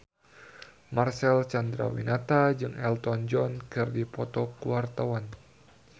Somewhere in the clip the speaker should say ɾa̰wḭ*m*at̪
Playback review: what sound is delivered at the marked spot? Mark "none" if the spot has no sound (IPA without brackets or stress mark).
n